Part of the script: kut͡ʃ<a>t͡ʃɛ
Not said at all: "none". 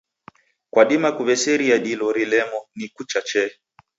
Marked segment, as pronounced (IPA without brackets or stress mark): a